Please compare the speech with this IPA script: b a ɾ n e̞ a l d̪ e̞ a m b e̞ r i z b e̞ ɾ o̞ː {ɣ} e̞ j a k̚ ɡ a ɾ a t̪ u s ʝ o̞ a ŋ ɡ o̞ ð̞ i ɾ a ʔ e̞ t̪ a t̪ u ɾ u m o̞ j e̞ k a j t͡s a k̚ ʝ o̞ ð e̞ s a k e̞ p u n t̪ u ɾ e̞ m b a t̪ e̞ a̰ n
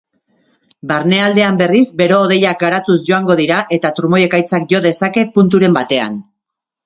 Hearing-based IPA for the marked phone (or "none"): ð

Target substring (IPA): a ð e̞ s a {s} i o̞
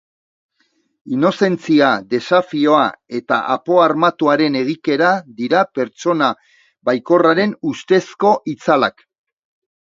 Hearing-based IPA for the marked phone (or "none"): f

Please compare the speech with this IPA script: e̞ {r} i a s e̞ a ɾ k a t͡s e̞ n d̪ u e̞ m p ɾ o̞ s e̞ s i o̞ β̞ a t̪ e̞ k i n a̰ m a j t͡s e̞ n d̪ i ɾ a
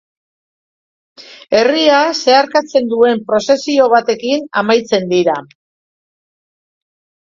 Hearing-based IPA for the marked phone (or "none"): r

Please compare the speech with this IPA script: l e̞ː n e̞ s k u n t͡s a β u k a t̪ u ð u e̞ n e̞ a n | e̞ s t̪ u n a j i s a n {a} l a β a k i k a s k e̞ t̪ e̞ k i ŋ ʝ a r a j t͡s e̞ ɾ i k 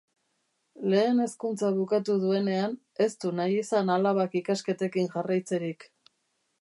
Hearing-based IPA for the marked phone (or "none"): a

